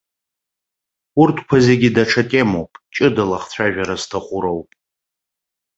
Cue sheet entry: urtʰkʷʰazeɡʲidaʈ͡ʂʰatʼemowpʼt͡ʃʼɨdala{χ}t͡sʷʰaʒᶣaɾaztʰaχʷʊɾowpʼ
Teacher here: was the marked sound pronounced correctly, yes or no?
yes